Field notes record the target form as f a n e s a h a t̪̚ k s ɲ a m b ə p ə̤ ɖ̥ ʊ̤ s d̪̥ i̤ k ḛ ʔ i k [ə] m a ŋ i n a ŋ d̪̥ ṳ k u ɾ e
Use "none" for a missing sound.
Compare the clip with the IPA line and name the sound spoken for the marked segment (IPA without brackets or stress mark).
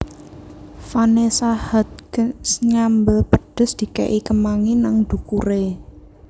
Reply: ə